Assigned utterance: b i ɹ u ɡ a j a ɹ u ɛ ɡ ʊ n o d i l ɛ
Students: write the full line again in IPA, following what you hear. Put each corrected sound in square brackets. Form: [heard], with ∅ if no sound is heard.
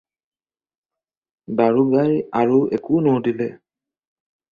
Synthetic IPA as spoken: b [a] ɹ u ɡ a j a ɹ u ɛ [k] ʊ n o d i l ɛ